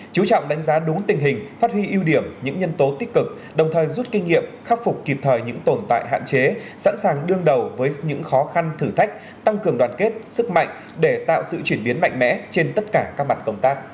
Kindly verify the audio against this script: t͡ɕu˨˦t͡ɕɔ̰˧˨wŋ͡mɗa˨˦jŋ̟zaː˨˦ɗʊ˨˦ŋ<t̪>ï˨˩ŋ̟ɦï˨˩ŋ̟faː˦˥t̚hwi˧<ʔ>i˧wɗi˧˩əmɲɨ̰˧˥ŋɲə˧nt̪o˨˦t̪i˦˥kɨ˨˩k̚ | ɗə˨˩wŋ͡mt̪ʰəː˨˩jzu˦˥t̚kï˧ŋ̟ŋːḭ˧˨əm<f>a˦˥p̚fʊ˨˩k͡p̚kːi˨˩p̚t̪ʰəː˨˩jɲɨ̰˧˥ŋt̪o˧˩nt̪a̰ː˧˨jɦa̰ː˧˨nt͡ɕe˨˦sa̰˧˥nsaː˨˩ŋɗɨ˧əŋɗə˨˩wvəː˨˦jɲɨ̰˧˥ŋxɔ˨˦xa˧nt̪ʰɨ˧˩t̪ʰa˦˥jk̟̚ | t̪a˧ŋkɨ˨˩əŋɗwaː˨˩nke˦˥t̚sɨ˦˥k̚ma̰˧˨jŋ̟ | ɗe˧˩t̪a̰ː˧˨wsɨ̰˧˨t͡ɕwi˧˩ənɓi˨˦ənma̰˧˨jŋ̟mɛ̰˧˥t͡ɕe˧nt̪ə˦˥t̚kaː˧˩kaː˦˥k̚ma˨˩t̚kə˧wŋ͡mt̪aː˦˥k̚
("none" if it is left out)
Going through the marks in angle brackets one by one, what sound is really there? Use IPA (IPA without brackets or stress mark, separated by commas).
t̪, ʔ, x